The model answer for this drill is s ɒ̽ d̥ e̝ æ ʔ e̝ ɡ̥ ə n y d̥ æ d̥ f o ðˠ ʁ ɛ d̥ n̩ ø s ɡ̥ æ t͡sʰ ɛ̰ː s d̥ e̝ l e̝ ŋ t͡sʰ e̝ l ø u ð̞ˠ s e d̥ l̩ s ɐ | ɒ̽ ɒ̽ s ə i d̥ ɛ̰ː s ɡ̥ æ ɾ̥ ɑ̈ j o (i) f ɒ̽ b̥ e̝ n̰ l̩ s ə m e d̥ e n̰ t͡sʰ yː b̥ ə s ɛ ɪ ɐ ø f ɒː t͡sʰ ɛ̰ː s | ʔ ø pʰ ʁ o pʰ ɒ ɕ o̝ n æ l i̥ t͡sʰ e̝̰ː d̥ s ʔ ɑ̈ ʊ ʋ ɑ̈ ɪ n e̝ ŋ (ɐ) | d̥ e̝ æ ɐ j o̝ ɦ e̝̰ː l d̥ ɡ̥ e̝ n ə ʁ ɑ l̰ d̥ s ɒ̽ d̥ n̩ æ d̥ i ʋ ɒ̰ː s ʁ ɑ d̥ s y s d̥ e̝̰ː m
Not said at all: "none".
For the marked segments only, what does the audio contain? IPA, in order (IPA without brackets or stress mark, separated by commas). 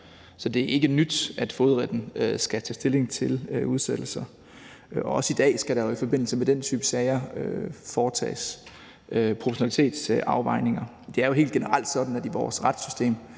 i, ɐ